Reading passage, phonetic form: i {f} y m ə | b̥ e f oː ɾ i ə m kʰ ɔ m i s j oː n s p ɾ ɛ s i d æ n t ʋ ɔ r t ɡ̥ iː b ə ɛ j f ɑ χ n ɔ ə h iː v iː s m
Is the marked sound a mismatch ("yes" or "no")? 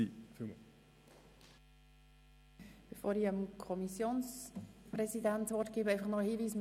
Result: no